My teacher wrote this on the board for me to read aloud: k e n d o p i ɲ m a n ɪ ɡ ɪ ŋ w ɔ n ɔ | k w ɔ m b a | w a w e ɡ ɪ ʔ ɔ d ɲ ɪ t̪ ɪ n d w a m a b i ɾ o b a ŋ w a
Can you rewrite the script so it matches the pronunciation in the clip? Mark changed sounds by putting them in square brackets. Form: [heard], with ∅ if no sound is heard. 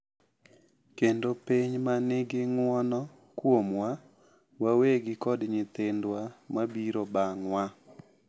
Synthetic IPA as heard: k e n d o p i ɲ m a n ɪ ɡ ɪ ŋ w ɔ n ɔ | k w [o] m [w] a | w a w e ɡ ɪ [k] ɔ d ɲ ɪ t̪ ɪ n d w a m a b i ɾ o b a ŋ w a